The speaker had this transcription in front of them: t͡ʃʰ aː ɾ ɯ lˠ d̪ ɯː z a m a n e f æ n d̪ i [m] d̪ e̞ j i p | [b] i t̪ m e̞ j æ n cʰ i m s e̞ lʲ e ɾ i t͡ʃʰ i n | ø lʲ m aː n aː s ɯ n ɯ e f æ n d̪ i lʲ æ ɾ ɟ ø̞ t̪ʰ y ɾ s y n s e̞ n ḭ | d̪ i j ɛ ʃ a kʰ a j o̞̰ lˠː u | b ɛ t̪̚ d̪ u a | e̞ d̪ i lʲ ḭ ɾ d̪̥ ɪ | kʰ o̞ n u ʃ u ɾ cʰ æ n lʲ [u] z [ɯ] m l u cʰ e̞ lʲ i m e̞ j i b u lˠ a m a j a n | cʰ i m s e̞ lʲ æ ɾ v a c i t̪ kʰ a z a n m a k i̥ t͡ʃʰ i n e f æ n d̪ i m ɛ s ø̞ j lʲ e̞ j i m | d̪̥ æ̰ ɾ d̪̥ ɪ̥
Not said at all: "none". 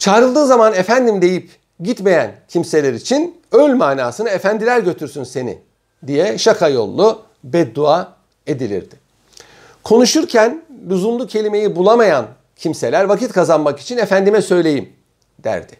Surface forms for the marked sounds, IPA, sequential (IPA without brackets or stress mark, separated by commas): m, ɟ, u, u